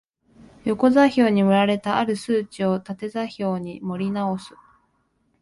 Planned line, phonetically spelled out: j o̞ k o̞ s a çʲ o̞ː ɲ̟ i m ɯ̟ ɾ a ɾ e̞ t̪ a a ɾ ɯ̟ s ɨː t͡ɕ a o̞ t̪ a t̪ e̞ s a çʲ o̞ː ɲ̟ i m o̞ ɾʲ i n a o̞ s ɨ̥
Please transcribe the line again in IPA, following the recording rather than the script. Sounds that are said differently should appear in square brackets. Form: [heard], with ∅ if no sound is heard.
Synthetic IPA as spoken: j o̞ k o̞ [z] a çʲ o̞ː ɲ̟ i m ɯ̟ ɾ a ɾ e̞ t̪ a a ɾ ɯ̟ s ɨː t͡ɕ [i] o̞ t̪ a t̪ e̞ [z] a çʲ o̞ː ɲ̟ i m o̞ ɾʲ i n a o̞ s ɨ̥